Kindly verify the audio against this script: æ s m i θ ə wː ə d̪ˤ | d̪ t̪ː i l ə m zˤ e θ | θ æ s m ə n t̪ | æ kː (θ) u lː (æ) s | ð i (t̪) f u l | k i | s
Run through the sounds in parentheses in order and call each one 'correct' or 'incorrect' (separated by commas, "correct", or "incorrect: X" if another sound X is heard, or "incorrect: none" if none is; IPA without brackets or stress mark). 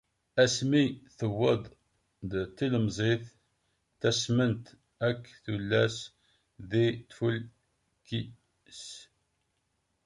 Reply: correct, correct, correct